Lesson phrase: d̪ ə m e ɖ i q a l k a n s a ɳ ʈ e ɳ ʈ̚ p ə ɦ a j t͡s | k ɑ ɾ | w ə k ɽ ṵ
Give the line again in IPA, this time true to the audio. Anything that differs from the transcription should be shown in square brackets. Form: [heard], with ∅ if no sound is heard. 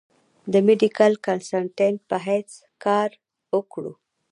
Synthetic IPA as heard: d̪ ə m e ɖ i [k] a l k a n s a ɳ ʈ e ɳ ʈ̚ p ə ɦ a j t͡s | k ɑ ɾ | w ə k ɽ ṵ